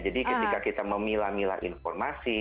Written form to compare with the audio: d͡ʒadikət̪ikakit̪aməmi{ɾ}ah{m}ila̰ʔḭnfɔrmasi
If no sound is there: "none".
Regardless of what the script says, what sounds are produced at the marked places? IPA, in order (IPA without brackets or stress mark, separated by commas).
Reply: l, m